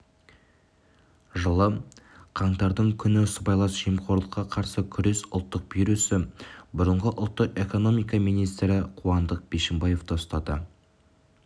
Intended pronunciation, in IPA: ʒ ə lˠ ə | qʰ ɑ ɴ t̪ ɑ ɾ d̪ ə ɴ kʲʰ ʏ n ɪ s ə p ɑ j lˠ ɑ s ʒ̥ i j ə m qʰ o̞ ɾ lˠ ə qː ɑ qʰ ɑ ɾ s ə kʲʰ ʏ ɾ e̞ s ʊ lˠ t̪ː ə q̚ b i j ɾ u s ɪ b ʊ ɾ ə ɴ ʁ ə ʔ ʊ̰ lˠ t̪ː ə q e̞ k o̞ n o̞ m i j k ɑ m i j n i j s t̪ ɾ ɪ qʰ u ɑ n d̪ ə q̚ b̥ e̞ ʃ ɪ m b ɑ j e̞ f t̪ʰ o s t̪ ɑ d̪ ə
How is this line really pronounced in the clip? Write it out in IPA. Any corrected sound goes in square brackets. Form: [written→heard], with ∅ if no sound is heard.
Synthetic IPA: ʒ ə lˠ ə | qʰ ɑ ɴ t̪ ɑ ɾ d̪ ə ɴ kʲʰ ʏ n ɪ s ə [p→b] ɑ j lˠ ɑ s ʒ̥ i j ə m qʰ o̞ ɾ lˠ ə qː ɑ qʰ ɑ ɾ s ə kʲʰ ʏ ɾ e̞ s ʊ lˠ t̪ː ə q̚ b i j ɾ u s ɪ b ʊ ɾ ə ɴ ʁ ə ʔ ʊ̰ lˠ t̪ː ə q e̞ k o̞ n o̞ m i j k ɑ m i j n i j s t̪ ɾ ɪ qʰ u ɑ n d̪ ə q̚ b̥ e̞ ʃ ɪ m b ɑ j e̞ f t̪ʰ o s t̪ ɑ d̪ ə